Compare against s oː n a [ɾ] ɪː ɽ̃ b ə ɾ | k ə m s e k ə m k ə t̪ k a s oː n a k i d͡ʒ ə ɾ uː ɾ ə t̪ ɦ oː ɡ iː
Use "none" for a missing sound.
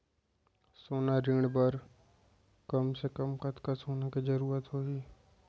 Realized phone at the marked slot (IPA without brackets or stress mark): ɾ